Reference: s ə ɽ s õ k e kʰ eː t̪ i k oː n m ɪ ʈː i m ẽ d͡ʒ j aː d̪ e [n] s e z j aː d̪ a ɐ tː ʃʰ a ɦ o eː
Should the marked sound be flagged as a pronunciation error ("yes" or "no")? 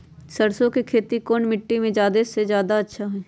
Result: yes